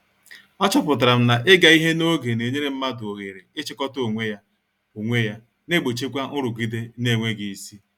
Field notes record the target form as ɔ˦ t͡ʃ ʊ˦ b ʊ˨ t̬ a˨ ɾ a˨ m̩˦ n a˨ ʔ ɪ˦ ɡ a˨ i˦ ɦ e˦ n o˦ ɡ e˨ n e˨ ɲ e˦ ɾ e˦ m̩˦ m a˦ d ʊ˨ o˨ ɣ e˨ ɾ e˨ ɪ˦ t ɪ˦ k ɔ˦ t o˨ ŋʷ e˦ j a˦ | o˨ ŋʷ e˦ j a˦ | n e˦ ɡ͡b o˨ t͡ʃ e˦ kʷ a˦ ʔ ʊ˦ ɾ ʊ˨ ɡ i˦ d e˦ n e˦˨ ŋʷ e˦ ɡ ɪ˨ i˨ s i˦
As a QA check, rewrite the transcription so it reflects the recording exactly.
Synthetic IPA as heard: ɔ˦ t͡ʃ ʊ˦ p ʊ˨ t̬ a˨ ɾ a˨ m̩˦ n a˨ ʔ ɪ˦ ɡ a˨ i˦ ɦ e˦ n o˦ ɡ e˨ n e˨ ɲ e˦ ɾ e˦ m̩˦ m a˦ d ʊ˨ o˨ ɣ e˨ ɾ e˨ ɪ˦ t͡ʃ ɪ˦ k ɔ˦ t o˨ ŋʷ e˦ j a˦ | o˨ ŋʷ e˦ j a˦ | n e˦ ɡ͡b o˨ t͡ʃ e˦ kʷ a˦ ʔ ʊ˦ ɾ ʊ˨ ɡ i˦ d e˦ n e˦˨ ŋʷ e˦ ɡ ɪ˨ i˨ s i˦